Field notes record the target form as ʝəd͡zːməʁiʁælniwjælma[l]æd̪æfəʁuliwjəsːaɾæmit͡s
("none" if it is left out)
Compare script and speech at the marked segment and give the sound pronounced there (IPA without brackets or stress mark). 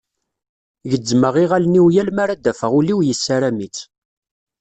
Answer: ɾ